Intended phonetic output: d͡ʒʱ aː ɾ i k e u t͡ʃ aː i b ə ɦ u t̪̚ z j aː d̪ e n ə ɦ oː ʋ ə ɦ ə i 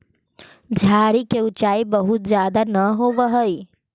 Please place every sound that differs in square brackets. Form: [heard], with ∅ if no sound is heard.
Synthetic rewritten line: d͡ʒʱ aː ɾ i k e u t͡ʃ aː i b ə ɦ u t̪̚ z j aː d̪ [a] n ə ɦ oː ʋ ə ɦ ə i